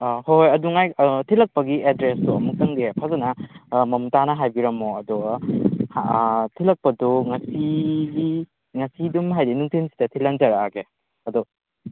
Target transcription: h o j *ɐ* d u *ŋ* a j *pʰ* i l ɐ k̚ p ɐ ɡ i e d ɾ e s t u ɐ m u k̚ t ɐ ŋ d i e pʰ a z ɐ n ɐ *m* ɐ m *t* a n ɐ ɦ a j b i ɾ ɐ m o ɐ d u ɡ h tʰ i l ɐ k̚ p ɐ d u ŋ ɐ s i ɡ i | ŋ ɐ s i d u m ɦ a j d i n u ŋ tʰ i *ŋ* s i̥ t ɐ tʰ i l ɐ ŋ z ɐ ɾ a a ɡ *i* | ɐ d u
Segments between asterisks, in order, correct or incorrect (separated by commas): correct, correct, incorrect, correct, correct, incorrect, incorrect